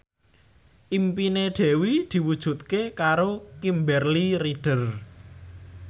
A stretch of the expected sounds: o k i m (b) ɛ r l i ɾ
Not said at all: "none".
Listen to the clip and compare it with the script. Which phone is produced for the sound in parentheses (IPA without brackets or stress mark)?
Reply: b